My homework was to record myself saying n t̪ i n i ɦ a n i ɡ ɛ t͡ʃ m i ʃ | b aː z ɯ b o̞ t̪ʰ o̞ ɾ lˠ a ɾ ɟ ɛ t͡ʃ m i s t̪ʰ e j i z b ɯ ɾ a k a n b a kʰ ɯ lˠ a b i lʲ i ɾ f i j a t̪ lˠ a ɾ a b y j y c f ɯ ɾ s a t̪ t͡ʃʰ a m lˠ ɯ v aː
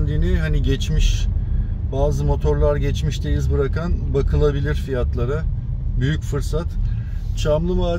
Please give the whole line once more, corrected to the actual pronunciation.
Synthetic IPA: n d̪ i n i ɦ a n i ɟ ɛ t͡ʃ m i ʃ | b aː z ɯ m o̞ t̪ʰ o̞ ɾ lˠ a ɾ ɟ ɛ t͡ʃ m i ʃ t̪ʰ e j i z b ɯ ɾ a k a n b a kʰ ɯ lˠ a b i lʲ i ɾ f i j a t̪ lˠ a ɾ a b y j y c f ɯ ɾ s a t̪ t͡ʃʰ a m lˠ ɯ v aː